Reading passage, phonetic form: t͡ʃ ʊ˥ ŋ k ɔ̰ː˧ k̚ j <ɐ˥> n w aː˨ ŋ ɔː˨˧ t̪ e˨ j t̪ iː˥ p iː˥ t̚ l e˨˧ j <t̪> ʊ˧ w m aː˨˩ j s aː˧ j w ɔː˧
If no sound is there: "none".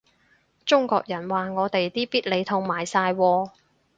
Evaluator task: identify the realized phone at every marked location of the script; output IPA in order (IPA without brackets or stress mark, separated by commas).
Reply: ɐ˨˩, t̪ʰ